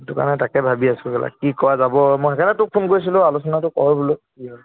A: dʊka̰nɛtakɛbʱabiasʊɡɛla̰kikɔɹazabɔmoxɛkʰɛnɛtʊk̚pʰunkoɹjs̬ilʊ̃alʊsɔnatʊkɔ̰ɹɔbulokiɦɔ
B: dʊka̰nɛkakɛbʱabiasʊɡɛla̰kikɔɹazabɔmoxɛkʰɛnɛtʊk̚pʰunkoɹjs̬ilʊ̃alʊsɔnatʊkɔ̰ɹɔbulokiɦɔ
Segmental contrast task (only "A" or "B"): A